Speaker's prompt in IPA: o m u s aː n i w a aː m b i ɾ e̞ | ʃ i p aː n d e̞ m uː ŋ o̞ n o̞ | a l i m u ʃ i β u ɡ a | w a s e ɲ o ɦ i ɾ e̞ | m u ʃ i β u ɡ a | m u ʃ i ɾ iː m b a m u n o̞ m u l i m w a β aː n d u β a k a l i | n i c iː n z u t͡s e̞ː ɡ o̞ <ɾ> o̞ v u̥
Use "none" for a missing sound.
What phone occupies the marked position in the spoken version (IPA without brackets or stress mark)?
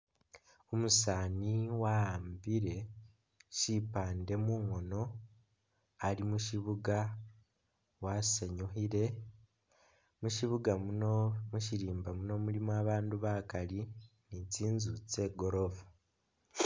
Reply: ɾ